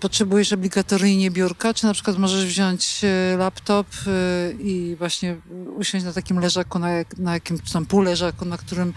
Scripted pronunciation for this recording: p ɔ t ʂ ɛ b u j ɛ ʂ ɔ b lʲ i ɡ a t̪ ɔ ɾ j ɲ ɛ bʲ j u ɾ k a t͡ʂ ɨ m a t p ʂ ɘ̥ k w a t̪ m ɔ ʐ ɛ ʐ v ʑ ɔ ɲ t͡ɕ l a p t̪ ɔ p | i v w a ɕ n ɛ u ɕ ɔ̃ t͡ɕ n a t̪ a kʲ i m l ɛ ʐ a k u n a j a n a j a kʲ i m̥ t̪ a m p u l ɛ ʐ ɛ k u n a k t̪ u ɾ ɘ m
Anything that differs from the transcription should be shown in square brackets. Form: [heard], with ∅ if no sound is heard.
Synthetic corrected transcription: p ɔ t ʂ ɛ b u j ɛ ʂ ɔ b lʲ i ɡ a t̪ ɔ ɾ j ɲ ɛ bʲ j u ɾ k a t͡ʂ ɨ [n] a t p ʂ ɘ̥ k w a t̪ m ɔ ʐ ɛ ʐ v ʑ ɔ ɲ t͡ɕ l a p t̪ ɔ p | i v w a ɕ [ɲ] ɛ u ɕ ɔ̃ t͡ɕ n a t̪ a kʲ i m l ɛ ʐ a k u n a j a n a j a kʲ i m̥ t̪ a m p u l ɛ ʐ [a] k u n a k t̪ u ɾ ɘ m